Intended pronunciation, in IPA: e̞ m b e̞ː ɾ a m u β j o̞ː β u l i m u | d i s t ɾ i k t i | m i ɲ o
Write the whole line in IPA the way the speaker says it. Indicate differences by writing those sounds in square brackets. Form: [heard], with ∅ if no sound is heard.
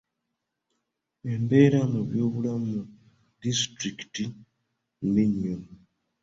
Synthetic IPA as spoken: e̞ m b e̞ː ɾ a m u β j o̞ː β u l [a] m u | d i s t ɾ i k t i | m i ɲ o